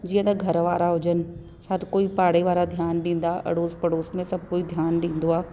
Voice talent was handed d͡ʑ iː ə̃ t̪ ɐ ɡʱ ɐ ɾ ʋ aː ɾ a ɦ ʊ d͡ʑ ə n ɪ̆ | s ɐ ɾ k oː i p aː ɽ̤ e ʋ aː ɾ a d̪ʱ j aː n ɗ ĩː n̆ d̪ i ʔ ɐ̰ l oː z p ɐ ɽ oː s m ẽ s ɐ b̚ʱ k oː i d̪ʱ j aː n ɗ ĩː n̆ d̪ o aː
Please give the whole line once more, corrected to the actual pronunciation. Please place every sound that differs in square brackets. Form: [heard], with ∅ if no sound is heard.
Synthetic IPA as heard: d͡ʑ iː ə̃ t̪ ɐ ɡʱ ɐ ɾ ʋ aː ɾ a ɦ ʊ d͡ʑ ə n ɪ̆ | s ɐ ɾ k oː i p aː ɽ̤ e ʋ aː ɾ a d̪ʱ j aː n ɗ ĩː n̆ d̪ [a] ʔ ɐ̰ [ɽ] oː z p ɐ ɽ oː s m ẽ s ɐ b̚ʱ k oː i d̪ʱ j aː n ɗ ĩː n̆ d̪ o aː